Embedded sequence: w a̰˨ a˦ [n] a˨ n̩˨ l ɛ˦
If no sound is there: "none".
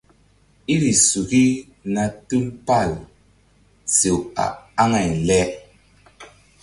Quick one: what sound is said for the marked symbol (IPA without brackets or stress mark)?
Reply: ŋ